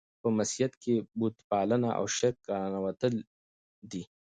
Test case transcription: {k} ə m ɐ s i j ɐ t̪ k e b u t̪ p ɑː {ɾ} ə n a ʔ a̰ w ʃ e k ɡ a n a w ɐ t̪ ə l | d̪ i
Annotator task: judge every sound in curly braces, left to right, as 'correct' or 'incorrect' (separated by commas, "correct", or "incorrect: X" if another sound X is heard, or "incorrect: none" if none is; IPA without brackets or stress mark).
incorrect: p, incorrect: l